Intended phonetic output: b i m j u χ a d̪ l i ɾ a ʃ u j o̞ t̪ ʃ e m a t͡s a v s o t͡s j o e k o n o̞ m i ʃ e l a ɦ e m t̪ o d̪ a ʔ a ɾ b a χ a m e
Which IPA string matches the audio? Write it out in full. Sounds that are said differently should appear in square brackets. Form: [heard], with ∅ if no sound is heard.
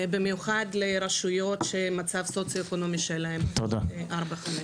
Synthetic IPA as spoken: b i m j u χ a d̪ l [e] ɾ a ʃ u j o̞ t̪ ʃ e m a t͡s a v s o t͡s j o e k o n o̞ m i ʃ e l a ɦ e m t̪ o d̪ a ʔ a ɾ b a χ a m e